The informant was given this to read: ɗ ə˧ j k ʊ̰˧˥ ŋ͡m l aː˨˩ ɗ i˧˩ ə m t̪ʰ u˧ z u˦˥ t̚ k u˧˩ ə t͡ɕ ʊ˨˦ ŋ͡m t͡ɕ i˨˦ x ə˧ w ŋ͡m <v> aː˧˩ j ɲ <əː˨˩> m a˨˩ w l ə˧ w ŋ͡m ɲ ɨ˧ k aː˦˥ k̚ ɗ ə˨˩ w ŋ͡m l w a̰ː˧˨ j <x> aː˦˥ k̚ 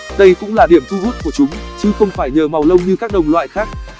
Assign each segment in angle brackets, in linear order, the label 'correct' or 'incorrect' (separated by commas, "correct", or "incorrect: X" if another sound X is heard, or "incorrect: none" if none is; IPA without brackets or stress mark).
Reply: incorrect: f, correct, correct